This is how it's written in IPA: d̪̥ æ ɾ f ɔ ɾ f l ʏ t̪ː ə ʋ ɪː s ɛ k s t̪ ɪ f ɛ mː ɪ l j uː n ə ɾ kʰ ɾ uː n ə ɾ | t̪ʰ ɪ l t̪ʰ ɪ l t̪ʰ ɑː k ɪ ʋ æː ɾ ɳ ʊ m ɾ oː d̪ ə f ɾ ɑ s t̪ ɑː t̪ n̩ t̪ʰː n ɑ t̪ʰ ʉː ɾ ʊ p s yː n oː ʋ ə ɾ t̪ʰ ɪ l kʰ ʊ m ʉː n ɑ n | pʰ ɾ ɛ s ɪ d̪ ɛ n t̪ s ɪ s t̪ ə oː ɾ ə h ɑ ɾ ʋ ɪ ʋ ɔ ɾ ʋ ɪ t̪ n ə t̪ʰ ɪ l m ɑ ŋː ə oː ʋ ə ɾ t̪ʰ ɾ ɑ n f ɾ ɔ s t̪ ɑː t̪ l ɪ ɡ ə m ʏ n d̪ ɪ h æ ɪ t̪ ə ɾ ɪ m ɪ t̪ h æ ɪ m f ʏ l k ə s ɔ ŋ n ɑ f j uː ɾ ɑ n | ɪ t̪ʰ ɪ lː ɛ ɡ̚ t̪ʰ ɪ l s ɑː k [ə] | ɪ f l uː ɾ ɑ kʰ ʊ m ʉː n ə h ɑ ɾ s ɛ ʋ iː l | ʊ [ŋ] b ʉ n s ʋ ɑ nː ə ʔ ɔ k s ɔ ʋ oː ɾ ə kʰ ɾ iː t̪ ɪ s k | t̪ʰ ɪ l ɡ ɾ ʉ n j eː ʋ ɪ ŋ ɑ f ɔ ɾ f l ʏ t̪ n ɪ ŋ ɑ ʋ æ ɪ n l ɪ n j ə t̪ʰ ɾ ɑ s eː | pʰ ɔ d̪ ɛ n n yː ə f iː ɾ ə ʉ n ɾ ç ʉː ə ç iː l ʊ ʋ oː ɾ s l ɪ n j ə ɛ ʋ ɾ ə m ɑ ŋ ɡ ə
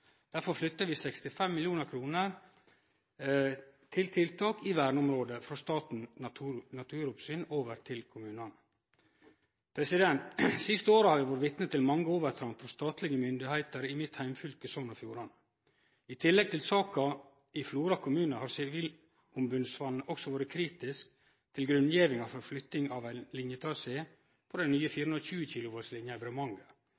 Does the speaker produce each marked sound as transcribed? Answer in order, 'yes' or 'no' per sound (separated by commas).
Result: no, no